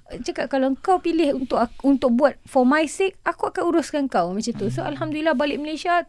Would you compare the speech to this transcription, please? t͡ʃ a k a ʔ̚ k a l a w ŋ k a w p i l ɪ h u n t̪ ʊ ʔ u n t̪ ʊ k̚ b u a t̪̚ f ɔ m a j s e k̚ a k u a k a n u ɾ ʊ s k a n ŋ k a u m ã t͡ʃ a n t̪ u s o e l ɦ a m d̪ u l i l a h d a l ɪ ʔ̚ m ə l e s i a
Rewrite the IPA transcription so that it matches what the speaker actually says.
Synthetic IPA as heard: t͡ʃ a k a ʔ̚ k a l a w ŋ k a w p i l ɪ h u n t̪ ʊ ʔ u n t̪ ʊ k̚ b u a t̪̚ f ɔ m a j s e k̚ a k u a k a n u ɾ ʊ s k a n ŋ k a w m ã t͡ʃ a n t̪ u s o a l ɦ a m d̪ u l i l a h b a l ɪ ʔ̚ m ə l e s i a